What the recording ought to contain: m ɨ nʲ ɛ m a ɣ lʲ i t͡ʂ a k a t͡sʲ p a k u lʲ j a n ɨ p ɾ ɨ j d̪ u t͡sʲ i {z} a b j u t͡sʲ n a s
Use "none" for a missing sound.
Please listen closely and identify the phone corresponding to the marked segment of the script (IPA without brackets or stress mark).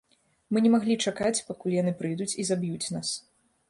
z